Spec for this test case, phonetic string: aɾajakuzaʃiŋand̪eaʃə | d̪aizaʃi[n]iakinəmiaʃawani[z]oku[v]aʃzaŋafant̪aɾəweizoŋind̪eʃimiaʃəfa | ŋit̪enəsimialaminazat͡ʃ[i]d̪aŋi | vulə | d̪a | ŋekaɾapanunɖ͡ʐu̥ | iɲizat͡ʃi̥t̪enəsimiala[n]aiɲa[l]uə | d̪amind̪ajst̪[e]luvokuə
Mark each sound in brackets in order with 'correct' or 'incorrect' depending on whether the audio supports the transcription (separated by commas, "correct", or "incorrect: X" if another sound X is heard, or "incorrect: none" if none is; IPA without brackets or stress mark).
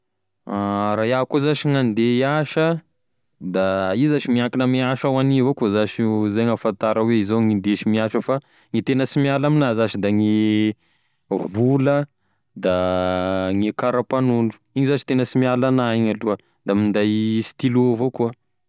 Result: incorrect: m, incorrect: v, incorrect: z, correct, correct, correct, incorrect: i